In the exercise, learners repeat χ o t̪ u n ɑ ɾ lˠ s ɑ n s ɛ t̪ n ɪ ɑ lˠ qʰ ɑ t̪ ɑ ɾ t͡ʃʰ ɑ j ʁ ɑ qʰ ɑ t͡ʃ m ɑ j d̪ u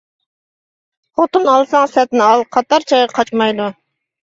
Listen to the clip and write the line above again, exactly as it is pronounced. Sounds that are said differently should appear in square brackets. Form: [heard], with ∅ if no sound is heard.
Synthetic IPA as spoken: χ o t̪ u n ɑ [∅] lˠ s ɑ [ŋ] s ɛ t̪ n ɪ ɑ lˠ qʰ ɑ t̪ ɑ ɾ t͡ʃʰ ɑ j ʁ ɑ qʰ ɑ t͡ʃ m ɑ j d̪ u